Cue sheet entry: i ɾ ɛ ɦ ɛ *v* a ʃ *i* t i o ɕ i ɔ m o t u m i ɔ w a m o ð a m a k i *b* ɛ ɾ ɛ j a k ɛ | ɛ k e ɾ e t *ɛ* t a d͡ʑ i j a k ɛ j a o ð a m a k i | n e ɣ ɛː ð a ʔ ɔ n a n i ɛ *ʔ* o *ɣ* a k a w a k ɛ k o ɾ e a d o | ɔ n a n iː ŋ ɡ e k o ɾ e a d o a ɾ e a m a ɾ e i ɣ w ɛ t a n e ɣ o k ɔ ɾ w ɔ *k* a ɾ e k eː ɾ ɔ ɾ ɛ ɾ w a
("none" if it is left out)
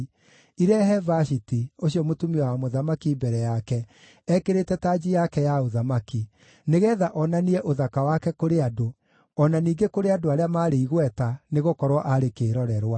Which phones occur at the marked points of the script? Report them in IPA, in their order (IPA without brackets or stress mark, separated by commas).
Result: v, i, b, ɛ, ʔ, ð, ʔ